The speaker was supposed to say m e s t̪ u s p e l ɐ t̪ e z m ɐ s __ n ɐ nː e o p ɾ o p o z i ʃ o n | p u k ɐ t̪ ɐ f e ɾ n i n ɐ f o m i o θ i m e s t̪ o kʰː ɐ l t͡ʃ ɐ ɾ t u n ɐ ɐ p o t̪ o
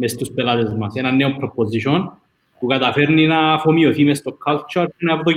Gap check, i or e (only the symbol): e